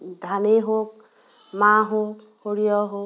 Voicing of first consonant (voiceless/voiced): voiced